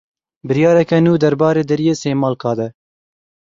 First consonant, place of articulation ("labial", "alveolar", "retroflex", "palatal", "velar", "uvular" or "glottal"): labial